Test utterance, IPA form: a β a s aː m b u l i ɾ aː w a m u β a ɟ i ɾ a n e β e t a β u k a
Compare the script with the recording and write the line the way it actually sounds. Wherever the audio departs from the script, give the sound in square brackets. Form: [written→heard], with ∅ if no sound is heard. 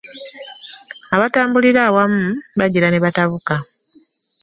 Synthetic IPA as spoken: a β a [s→t] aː m b u l i ɾ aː w a m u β a ɟ i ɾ a n e β [e→a] t a β u k a

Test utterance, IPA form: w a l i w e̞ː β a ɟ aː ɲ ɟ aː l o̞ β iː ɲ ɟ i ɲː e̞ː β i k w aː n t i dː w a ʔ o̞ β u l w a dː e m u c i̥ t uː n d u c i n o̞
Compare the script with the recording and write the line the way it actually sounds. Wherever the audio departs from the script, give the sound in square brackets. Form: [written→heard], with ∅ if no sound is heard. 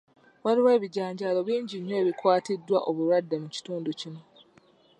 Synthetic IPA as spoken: w a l i w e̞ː β [a→i] ɟ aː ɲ ɟ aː l o̞ β iː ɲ ɟ i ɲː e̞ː β i k w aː [n→∅] t i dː w a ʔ o̞ β u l w a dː e m u c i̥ t uː n d u c i n o̞

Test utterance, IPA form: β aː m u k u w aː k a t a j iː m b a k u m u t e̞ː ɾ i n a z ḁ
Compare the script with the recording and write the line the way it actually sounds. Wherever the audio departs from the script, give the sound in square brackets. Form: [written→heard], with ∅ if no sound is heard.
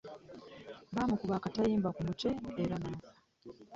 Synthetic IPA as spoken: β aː m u k u [w→β] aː k a t a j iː m b a k u m u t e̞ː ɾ [i→a] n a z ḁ

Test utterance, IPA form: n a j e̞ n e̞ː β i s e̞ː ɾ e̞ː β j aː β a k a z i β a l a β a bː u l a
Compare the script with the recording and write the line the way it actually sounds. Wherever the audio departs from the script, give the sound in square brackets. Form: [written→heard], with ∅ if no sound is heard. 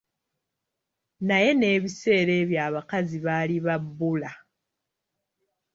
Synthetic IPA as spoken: n a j e̞ n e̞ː β i s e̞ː ɾ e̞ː β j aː β a k a z i β a l [a→i] β a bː u l a

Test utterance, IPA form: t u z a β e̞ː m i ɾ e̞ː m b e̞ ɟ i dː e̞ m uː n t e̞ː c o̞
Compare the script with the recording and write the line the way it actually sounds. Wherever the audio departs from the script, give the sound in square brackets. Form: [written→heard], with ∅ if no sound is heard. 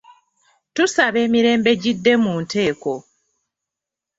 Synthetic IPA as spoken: t u [z→s] a β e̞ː m i ɾ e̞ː m b e̞ ɟ i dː e̞ m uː n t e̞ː [c→k] o̞

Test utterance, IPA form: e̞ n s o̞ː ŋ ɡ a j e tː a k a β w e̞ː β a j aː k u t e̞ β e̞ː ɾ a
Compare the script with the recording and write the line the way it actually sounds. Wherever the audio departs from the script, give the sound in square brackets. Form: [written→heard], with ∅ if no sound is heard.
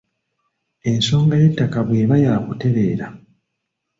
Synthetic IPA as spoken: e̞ n s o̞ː ŋ ɡ a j e tː a k a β w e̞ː β a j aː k u t e̞ β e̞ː ɾ a

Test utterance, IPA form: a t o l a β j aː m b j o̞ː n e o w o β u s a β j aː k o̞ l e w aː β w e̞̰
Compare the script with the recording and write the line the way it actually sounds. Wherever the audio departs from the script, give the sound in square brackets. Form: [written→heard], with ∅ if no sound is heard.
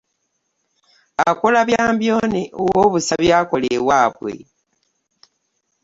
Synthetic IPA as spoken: a [t→k] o l a β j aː m b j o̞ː n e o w o β u s a β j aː k o̞ l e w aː β w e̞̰

